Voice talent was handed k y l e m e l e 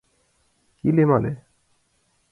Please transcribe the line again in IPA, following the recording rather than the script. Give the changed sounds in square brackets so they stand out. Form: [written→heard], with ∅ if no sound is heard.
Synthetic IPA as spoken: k [y→i] l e m [e→a] l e

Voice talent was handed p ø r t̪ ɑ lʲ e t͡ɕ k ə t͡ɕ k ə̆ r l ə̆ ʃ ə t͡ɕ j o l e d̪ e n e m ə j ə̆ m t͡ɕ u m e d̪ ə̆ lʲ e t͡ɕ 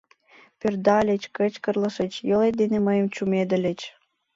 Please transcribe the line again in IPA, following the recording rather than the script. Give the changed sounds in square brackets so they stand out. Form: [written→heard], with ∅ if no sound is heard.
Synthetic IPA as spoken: p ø r [t̪→d̪] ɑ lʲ e t͡ɕ k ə t͡ɕ k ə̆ r l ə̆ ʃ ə t͡ɕ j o l e d̪ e n e m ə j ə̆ m t͡ɕ u m e d̪ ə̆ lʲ e t͡ɕ

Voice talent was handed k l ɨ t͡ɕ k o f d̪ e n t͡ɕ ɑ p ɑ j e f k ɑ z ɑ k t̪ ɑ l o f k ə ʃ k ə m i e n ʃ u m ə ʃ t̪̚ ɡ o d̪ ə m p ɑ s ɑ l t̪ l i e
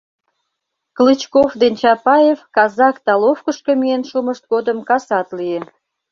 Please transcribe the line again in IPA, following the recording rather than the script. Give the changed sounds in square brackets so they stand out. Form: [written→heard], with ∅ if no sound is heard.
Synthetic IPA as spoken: k l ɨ t͡ɕ k o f d̪ e n t͡ɕ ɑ p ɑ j e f k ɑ z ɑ k t̪ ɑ l o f k ə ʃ k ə m i e n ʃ u m ə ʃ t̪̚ ɡ o d̪ ə m [p→k] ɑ s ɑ [l→∅] t̪ l i e

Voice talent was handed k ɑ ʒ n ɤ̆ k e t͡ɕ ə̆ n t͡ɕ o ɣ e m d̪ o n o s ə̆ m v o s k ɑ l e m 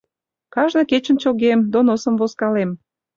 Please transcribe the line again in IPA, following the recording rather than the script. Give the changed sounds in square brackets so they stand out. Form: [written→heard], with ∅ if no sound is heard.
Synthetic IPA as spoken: k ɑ ʒ n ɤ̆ k e t͡ɕ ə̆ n t͡ɕ o ɣ e m d̪ o n o s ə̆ m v o s k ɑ l e m

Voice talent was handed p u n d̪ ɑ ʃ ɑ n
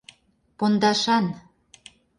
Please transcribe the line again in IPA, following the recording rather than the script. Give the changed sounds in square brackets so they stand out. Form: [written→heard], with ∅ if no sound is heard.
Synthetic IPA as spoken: p [u→o] n d̪ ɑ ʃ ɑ n

